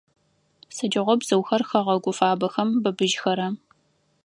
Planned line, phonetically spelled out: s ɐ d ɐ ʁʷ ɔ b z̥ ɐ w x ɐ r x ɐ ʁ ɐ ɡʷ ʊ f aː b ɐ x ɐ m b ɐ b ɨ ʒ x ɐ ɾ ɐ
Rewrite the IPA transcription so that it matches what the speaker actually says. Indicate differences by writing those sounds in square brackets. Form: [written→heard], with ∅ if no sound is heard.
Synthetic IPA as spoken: s ɐ [d→d͡ʒ] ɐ ʁʷ ɔ b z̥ ɐ w x ɐ r x ɐ ʁ ɐ ɡʷ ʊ f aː b ɐ x ɐ m b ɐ b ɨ ʒ x ɐ ɾ ɐ